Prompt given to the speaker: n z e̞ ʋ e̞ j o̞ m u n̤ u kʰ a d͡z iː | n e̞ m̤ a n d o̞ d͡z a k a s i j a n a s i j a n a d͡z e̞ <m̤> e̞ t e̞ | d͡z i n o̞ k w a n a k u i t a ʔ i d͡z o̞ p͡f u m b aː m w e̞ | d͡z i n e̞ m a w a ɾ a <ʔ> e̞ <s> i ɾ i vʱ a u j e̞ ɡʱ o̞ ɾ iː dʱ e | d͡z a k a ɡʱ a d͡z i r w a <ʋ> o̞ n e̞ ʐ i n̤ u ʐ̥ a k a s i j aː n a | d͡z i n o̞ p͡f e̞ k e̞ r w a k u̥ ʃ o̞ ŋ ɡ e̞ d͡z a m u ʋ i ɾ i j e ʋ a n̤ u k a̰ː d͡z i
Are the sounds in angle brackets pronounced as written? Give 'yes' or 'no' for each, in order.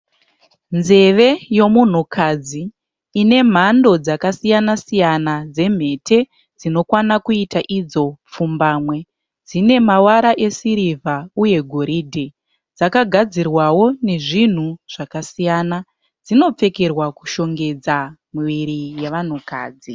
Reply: yes, yes, yes, no

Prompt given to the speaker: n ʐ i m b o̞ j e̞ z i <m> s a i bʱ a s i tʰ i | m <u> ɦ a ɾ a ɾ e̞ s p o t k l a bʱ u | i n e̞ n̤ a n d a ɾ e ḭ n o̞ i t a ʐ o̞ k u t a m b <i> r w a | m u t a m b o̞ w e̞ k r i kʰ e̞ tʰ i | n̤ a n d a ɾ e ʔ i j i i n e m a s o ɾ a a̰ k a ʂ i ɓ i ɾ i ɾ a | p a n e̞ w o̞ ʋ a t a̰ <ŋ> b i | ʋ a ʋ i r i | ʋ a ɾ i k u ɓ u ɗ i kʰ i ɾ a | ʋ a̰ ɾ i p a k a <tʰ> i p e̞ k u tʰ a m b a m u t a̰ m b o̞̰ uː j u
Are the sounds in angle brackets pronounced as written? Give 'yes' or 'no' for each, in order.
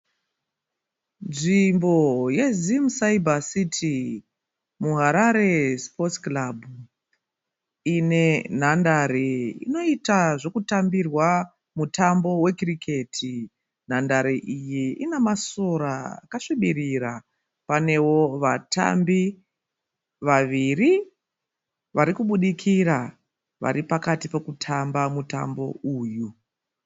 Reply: yes, yes, yes, no, no

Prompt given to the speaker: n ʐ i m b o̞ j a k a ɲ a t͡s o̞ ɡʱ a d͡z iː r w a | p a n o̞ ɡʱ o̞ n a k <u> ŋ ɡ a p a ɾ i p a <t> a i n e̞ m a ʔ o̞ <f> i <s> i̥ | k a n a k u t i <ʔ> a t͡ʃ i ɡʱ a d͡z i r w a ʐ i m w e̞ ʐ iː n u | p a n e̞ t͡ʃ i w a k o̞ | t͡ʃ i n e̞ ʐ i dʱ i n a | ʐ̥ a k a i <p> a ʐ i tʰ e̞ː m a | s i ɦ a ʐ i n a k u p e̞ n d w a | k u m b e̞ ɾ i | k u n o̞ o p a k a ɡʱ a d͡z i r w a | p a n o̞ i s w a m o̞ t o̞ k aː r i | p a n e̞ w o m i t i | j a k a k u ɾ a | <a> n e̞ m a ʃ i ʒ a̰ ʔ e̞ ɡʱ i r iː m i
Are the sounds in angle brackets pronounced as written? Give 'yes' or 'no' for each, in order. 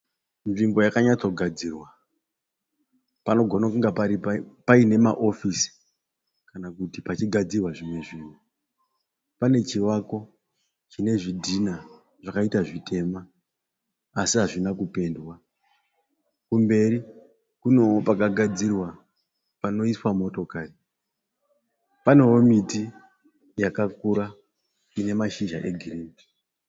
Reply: yes, no, yes, yes, no, no, no

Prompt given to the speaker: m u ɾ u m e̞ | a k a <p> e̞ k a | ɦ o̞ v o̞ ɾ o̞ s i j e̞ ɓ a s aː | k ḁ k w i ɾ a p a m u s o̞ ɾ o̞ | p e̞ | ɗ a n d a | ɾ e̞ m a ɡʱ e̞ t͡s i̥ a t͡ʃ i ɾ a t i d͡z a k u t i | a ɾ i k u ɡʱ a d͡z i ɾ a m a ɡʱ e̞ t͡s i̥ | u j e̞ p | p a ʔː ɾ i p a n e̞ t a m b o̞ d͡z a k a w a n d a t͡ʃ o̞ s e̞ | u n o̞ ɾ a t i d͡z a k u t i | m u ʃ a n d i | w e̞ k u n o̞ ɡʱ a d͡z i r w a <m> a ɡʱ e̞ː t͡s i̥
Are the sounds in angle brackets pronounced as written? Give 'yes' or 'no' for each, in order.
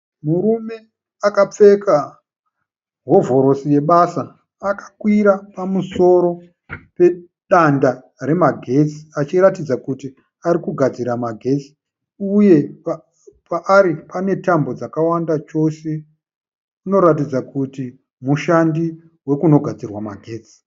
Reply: no, yes

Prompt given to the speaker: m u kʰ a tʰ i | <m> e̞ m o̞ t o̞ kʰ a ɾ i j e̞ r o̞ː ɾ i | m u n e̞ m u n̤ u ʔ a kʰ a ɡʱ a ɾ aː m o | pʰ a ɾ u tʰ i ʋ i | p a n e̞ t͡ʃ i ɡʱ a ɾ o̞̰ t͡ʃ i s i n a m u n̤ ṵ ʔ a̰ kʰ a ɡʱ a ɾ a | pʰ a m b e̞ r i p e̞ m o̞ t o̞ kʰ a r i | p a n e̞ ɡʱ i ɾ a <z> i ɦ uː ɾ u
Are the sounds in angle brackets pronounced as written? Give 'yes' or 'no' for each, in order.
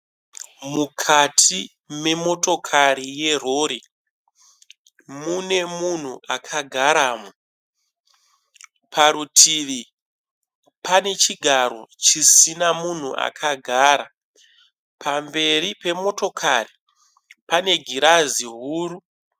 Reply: yes, yes

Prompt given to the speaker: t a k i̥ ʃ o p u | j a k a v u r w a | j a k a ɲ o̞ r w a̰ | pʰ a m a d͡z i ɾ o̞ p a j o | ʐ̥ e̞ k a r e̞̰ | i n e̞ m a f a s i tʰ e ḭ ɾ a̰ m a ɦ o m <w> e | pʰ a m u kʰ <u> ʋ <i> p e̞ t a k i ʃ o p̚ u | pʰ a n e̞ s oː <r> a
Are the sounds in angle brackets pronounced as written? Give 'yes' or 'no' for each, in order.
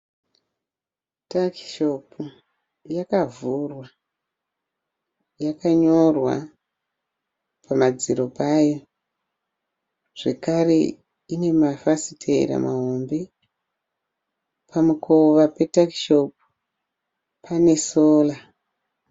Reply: no, no, no, no

